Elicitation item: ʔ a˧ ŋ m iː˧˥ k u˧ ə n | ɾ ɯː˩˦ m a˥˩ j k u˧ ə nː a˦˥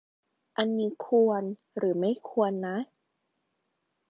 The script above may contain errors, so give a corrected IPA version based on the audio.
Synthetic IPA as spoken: ʔ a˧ n m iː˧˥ kʰ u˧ ə n | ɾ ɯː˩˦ m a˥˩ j kʰ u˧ ə nː a˦˥